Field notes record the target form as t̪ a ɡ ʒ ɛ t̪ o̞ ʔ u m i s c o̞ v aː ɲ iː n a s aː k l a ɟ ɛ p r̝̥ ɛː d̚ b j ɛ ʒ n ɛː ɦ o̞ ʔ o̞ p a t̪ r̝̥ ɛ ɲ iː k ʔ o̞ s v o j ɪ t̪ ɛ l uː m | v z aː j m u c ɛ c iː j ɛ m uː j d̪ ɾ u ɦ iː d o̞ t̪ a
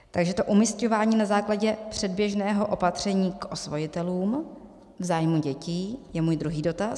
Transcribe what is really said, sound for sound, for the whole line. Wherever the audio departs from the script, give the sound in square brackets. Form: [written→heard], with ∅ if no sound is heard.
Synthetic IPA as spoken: t̪ a ɡ ʒ ɛ t̪ o̞ ʔ u m i s c o̞ v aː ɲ iː n a [s→z] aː k l a ɟ ɛ p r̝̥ [ɛː→ɛ] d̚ b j ɛ ʒ n ɛː ɦ o̞ ʔ o̞ p a t̪ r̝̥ ɛ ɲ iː k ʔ o̞ s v o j ɪ t̪ ɛ l uː m | v z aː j m u [c→ɟ] ɛ c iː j ɛ m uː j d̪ ɾ u ɦ iː d o̞ t̪ a

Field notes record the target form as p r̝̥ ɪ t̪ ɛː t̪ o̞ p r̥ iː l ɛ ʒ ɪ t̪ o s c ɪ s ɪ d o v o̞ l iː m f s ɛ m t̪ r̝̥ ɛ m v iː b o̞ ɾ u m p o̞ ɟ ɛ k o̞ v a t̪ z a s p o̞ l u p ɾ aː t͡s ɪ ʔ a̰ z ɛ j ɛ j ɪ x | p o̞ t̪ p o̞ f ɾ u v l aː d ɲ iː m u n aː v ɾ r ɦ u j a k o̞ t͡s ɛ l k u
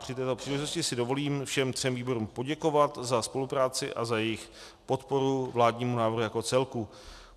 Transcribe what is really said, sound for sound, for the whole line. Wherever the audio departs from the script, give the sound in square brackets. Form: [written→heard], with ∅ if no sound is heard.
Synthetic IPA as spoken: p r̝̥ ɪ t̪ ɛː t̪ o̞ p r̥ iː l ɛ ʒ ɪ t̪ o s c ɪ s ɪ d o v o̞ l iː m f [s→ʃ] ɛ m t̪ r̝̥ ɛ m v iː b o̞ ɾ u m p o̞ ɟ ɛ k o̞ v a t̪ z a s p o̞ l u p ɾ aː t͡s ɪ ʔ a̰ z [ɛ→a] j ɛ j ɪ x | p o̞ t̪ p o̞ [f→∅] ɾ u v l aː d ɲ iː m u n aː v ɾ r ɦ u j a k o̞ t͡s ɛ l k u

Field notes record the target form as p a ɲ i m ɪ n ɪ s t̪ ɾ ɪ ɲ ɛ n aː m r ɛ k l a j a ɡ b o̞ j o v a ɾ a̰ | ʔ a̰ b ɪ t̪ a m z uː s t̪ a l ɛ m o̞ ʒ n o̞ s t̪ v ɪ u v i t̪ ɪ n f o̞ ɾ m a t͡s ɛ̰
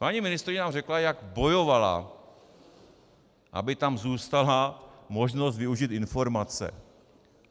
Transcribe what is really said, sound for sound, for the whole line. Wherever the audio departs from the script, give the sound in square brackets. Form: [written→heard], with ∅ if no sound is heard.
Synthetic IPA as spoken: p a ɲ i m ɪ n ɪ s t̪ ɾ ɪ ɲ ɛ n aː m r ɛ k l a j a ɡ b o̞ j o v a [ɾ→l] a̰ | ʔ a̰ b ɪ t̪ a m z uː s t̪ a l [ɛ→a] m o̞ ʒ n o̞ s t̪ v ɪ u [v→ʒ] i t̪ ɪ n f o̞ ɾ m a t͡s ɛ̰

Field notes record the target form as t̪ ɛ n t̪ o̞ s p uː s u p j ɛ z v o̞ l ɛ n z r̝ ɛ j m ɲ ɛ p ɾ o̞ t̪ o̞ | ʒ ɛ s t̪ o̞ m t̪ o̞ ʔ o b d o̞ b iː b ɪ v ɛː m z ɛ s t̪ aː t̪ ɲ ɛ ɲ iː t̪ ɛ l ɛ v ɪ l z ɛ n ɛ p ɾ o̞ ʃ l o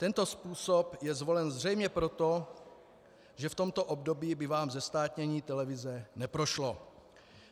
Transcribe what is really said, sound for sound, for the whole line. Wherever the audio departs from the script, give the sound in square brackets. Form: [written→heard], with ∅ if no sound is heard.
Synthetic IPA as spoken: t̪ ɛ n t̪ o̞ s p uː s [u→o] p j ɛ z v o̞ l ɛ n z r̝ ɛ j m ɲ ɛ p ɾ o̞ t̪ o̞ | ʒ ɛ [s→f] t̪ o̞ m t̪ o̞ ʔ o b d o̞ b iː b ɪ v [ɛː→aː] m z ɛ s t̪ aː t̪ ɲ ɛ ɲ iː t̪ ɛ l ɛ v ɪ [l→∅] z ɛ n ɛ p ɾ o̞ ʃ l o

